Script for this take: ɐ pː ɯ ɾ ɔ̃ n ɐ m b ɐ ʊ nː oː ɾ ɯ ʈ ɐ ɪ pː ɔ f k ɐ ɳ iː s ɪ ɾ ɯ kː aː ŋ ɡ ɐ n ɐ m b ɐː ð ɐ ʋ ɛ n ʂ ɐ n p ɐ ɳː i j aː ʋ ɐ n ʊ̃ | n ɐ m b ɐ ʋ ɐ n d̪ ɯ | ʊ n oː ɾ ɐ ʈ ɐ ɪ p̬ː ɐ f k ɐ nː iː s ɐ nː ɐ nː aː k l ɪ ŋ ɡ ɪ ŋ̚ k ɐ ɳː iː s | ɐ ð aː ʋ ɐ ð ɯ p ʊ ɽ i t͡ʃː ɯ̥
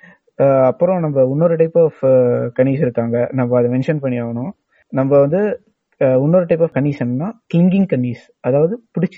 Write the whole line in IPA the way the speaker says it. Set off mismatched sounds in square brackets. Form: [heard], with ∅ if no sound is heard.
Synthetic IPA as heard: ɐ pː ɯ ɾ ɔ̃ n ɐ m b ɐ ʊ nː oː ɾ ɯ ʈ ɐ ɪ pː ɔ f k ɐ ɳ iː s ɪ ɾ ɯ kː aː ŋ ɡ ɐ n ɐ m b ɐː ð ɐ ʋ ɛ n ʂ ɐ n p ɐ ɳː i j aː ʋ ɐ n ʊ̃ | n ɐ m b ɐ ʋ ɐ n d̪ ɯ | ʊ [nː] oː ɾ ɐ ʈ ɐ ɪ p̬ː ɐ f k ɐ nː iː s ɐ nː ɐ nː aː k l ɪ ŋ ɡ ɪ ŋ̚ k ɐ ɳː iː s | ɐ ð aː ʋ ɐ ð ɯ p ʊ ɽ [ɪ] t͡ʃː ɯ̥